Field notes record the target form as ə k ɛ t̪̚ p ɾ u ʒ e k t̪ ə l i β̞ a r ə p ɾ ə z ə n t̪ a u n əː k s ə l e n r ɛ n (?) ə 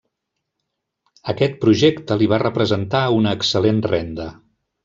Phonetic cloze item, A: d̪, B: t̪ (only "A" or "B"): A